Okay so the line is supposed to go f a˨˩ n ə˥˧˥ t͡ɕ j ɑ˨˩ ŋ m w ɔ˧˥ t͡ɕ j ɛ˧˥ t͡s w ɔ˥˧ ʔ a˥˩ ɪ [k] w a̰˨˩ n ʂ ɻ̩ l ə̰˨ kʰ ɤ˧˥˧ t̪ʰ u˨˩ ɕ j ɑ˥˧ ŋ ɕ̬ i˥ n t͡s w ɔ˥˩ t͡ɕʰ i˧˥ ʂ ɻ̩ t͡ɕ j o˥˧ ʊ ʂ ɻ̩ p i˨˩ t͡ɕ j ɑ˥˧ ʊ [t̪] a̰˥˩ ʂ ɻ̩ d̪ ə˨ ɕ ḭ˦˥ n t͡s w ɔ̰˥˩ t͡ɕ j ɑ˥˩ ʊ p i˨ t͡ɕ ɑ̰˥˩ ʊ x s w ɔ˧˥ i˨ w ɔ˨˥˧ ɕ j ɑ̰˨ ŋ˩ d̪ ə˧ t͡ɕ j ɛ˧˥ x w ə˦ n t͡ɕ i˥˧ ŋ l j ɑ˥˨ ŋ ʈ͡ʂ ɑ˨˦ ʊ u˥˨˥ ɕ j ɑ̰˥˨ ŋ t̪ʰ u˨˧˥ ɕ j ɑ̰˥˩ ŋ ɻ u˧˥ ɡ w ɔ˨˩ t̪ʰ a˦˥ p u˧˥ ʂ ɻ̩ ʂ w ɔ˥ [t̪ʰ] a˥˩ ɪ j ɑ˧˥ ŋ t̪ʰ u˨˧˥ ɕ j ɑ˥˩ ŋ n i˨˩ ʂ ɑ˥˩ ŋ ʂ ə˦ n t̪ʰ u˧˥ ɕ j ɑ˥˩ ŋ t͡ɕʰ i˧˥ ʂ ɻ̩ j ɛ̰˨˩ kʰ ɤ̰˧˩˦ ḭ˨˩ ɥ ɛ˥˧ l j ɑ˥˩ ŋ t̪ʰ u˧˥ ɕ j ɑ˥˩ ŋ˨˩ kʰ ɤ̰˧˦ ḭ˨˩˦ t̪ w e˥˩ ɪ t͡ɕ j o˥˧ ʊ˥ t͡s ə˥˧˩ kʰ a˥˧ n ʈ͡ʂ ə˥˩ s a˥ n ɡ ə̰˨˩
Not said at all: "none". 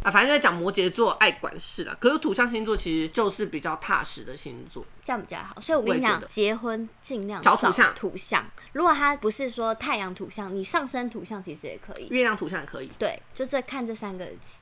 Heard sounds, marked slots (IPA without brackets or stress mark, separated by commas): k, t̪ʰ, t̪ʰ